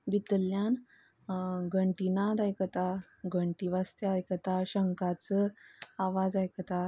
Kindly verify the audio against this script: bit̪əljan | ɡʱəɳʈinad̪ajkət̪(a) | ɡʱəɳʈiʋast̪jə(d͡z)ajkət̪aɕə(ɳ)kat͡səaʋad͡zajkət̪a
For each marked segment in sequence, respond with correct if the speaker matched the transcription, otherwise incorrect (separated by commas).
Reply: correct, incorrect, incorrect